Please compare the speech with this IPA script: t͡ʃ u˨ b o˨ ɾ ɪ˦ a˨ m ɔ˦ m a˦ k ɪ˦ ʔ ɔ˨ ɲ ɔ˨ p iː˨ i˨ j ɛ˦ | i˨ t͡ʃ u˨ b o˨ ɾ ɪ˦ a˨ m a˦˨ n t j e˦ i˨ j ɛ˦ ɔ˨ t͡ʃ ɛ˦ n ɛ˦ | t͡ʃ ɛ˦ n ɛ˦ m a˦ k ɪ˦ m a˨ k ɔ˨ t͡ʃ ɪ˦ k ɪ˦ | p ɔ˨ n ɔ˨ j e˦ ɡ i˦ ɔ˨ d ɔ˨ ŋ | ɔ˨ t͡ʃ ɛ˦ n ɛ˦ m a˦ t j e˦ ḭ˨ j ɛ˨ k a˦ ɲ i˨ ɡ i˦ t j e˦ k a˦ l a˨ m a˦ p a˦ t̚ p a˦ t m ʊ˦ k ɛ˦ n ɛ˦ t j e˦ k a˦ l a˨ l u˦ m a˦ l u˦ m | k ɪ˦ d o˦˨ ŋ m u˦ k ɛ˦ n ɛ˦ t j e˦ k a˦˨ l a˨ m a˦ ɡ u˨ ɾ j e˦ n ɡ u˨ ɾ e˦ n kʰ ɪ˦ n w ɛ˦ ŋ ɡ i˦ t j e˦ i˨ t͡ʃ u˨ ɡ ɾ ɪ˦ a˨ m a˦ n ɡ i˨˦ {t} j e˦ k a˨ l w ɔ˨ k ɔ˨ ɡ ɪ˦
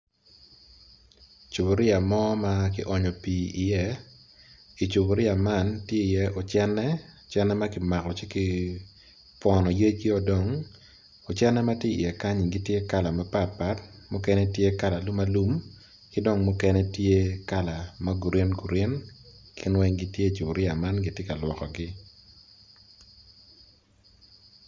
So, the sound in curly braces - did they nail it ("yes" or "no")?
yes